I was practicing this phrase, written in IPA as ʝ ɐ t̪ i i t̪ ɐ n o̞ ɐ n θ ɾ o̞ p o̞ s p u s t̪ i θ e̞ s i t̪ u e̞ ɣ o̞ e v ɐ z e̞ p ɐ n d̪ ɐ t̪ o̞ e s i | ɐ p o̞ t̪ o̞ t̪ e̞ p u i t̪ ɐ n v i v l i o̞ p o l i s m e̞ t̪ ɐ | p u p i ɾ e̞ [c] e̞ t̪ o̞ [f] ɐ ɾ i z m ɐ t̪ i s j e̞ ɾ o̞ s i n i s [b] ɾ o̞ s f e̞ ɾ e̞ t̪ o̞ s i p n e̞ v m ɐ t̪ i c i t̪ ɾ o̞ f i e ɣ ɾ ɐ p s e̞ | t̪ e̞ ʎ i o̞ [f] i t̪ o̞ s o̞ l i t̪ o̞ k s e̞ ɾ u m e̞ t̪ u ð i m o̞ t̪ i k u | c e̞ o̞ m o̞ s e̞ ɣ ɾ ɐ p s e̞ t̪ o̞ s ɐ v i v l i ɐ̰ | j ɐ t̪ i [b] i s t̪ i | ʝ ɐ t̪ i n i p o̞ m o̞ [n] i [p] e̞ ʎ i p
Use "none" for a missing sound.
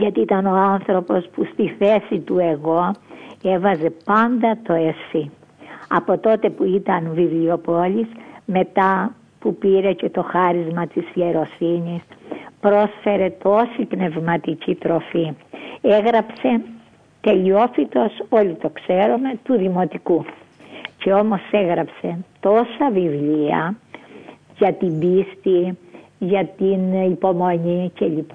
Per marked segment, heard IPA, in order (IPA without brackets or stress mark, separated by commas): c, x, p, f, b, ɲ, c